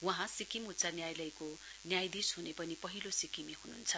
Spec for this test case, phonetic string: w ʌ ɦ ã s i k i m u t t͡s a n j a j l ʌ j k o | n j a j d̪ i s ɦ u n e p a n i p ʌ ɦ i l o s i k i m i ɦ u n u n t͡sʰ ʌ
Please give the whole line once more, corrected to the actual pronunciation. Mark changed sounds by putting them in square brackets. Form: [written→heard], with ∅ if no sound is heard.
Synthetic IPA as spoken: w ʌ ɦ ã s i k i m u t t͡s a n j a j l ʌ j k o | n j a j d̪ i s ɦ u n e p [a→ʌ] n i p ʌ ɦ i l o s i k i m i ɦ u n u n t͡sʰ ʌ